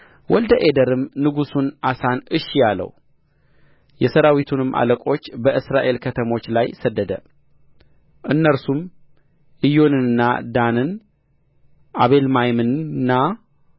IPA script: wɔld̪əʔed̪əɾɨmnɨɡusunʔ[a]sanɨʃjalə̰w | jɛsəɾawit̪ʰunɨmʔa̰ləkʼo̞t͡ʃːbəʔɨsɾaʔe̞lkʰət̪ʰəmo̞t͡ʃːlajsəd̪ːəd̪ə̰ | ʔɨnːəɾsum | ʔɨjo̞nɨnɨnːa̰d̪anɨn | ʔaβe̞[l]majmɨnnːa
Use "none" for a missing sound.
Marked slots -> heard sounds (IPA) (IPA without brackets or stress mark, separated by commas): a, l